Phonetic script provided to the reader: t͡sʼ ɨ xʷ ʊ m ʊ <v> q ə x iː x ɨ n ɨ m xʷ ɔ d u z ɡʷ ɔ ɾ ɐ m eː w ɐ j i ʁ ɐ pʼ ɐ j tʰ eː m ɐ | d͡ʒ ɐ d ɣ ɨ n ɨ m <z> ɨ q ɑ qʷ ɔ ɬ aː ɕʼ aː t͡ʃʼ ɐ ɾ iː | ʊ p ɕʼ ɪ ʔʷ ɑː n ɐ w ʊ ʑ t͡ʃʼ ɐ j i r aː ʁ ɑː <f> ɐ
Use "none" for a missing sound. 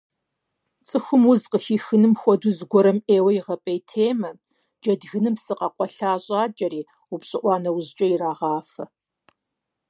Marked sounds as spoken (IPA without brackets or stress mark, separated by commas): z, s, f